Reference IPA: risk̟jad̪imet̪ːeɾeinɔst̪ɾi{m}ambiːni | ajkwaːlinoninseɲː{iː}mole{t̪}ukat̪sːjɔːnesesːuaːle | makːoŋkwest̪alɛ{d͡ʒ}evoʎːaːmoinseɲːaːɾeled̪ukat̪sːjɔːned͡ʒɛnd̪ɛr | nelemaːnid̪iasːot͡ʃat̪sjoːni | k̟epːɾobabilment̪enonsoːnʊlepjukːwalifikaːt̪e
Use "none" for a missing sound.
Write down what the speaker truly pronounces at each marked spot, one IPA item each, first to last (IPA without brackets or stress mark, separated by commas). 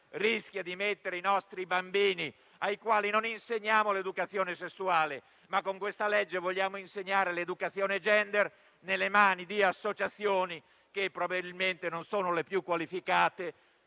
b, aː, d̪, d͡ʒː